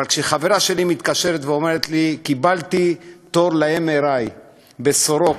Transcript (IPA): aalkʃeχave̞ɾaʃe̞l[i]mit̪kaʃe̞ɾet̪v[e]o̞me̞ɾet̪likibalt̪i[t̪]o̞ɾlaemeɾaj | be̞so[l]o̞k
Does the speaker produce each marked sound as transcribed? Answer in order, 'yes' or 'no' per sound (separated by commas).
yes, yes, yes, no